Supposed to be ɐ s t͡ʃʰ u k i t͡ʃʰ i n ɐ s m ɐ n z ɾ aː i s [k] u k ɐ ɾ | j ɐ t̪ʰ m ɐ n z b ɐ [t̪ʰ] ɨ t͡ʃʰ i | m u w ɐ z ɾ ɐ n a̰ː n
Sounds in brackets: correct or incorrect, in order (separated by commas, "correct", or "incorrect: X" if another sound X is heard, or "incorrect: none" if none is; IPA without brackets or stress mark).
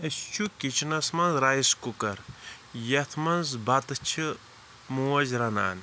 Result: correct, incorrect: t̪